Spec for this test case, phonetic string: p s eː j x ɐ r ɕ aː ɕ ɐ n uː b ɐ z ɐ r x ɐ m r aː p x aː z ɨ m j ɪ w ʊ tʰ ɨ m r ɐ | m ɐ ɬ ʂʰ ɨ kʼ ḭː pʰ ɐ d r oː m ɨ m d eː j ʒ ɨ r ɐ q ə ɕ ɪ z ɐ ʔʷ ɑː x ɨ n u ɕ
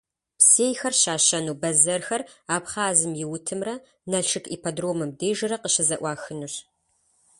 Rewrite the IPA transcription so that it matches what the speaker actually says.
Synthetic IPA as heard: p s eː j x ɐ r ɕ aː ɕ ɐ n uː b ɐ z ɐ r x ɐ r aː p χ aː z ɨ m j ɪ w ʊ tʰ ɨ m r ɐ | n ɐ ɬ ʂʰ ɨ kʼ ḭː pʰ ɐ d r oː m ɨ m d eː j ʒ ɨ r ɐ q ə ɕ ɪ z ɐ ʔʷ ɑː x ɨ n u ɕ